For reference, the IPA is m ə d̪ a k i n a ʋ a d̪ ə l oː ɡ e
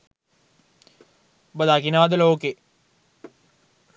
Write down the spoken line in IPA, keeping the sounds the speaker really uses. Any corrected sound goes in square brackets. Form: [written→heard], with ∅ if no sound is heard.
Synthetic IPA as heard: [m→b] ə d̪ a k i n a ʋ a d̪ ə l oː [ɡ→k] e